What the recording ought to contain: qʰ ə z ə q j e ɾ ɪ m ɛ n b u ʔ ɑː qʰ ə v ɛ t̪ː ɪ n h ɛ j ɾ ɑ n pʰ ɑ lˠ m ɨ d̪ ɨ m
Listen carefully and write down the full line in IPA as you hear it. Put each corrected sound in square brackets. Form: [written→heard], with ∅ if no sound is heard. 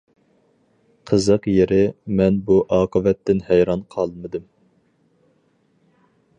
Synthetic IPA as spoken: qʰ ə z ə q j e ɾ ɪ m ɛ n b u ʔ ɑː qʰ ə v ɛ t̪ː ɪ n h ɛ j ɾ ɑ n [pʰ→qʰ] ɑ lˠ m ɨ d̪ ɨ m